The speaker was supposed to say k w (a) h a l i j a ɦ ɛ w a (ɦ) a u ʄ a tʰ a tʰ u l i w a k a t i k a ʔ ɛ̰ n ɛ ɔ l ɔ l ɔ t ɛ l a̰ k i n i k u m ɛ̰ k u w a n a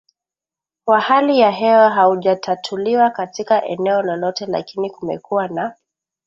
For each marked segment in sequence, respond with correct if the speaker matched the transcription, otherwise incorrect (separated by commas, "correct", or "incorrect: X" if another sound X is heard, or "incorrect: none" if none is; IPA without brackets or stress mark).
correct, correct